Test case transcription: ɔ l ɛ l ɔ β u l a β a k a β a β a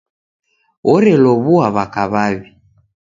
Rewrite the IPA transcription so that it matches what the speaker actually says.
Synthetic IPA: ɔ ɾ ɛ l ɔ β u a β a k a β a β i